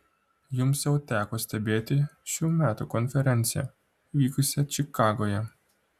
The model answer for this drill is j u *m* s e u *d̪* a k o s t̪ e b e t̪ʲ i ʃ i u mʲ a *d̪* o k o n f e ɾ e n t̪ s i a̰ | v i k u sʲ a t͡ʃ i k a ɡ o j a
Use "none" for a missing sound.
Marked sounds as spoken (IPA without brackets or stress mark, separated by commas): m, t̪, t̪